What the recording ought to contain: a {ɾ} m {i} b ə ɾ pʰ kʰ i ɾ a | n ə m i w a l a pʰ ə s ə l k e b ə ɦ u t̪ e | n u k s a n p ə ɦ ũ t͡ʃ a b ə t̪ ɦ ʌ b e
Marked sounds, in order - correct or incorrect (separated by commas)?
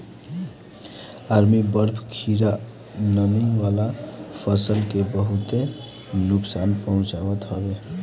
correct, correct